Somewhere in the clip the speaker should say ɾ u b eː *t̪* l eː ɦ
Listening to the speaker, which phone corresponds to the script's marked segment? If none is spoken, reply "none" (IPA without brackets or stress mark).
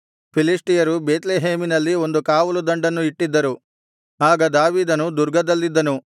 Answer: t̪